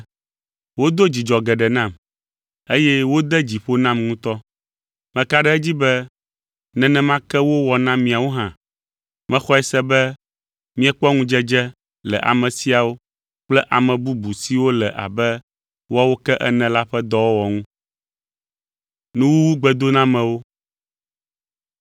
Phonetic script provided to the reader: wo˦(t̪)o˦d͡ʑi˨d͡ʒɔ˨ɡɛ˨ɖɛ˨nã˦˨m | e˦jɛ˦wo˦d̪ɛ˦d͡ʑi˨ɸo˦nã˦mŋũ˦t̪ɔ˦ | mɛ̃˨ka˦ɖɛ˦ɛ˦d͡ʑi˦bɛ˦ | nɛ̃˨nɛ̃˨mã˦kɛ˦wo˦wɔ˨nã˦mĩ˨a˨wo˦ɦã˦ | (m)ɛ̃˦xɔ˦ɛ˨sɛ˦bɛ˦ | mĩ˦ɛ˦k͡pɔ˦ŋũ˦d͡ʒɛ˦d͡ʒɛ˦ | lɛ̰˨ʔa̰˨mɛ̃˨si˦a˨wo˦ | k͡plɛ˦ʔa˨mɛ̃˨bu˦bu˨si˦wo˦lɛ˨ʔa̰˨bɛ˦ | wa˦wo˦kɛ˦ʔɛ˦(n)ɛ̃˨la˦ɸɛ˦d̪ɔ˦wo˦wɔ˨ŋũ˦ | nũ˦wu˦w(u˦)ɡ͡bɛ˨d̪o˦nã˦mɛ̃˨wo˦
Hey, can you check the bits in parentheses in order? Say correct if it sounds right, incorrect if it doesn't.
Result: incorrect: d̪, correct, correct, correct

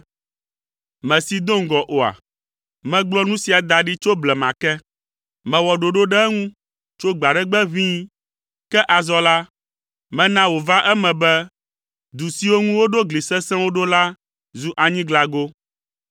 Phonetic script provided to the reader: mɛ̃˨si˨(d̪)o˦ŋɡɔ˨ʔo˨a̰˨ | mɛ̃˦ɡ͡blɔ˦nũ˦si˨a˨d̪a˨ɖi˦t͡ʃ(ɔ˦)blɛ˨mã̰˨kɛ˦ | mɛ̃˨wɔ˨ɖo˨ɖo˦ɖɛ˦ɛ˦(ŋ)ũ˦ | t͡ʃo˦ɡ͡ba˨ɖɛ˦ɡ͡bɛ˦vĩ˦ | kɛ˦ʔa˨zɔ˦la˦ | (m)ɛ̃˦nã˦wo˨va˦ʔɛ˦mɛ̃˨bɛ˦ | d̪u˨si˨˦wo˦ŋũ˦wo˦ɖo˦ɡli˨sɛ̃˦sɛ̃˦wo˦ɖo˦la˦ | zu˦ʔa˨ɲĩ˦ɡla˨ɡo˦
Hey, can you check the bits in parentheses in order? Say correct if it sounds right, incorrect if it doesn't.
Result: correct, incorrect: o˦, correct, correct

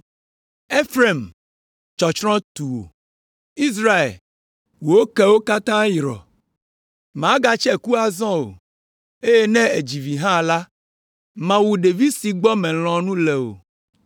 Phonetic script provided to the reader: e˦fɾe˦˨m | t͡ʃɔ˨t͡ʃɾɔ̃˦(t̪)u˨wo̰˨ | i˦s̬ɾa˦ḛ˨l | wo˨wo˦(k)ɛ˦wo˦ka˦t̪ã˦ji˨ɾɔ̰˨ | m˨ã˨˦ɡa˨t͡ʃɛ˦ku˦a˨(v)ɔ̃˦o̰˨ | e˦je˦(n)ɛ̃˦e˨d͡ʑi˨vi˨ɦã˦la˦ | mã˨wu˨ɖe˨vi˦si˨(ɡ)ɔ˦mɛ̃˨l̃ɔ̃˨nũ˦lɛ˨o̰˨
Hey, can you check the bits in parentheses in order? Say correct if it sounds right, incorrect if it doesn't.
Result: correct, correct, incorrect: z, correct, incorrect: ɡ͡b

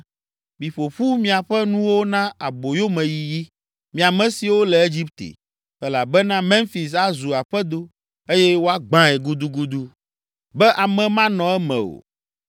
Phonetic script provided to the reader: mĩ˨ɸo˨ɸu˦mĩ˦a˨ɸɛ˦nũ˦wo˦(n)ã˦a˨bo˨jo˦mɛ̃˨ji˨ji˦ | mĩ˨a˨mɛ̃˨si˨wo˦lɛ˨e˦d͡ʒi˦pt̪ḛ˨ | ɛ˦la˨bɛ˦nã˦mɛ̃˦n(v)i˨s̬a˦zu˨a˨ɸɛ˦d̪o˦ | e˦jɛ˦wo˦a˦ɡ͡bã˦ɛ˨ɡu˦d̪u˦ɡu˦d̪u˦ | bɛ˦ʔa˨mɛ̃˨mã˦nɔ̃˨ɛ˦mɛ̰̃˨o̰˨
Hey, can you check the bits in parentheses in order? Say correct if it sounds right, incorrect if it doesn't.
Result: correct, incorrect: f

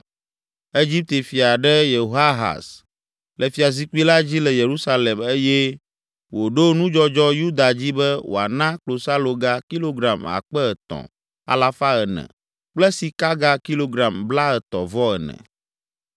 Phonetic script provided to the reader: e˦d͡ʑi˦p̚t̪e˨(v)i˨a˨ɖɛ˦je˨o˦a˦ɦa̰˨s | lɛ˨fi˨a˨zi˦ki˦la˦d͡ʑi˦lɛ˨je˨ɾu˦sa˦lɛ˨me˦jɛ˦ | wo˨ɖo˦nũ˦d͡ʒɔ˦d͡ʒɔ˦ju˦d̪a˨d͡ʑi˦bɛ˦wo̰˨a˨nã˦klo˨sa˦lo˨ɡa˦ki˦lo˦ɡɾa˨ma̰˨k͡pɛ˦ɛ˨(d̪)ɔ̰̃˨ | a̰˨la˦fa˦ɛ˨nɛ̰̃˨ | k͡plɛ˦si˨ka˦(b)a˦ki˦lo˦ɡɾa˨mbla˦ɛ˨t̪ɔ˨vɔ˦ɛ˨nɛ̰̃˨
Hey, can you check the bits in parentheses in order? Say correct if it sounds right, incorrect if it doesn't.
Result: incorrect: f, incorrect: t̪, incorrect: ɡ

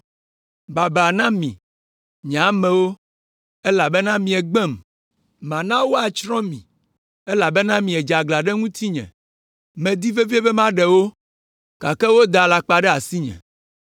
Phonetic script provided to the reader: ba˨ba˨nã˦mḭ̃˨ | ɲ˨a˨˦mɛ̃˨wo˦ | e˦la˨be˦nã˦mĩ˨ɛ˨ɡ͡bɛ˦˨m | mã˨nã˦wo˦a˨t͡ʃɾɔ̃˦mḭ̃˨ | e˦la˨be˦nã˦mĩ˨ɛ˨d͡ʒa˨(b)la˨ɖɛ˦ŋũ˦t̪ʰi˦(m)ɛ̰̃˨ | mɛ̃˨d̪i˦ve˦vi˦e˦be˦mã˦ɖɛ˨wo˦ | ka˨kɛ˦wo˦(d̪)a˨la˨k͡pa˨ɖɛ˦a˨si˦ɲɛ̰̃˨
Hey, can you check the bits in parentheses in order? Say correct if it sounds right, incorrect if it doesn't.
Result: incorrect: ɡ, incorrect: ɲ, correct

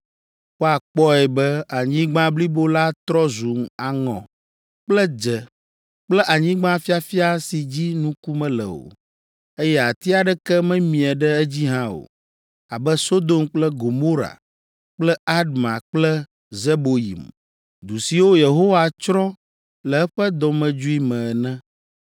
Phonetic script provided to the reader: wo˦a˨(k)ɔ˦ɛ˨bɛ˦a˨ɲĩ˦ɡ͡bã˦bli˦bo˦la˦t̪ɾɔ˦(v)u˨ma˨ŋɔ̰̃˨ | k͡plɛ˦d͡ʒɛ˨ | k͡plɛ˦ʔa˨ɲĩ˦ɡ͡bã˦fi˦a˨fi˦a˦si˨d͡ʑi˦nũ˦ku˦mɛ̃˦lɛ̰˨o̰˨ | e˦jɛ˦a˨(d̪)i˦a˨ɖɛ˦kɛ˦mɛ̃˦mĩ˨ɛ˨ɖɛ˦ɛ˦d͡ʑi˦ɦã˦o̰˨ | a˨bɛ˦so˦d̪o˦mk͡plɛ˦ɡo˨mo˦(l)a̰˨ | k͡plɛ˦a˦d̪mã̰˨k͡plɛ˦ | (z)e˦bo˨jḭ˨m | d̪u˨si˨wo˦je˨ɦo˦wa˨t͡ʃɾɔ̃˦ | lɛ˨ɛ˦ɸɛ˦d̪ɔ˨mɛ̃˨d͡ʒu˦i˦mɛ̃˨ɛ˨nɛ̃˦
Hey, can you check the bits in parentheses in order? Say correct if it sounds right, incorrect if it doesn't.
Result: incorrect: k͡p, incorrect: z, incorrect: t̪, incorrect: ɾ, correct

